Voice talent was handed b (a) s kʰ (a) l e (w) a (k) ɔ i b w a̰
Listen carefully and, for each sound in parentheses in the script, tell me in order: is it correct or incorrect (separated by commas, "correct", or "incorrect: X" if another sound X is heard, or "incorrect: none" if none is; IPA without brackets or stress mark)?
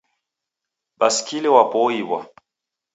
correct, incorrect: i, correct, incorrect: p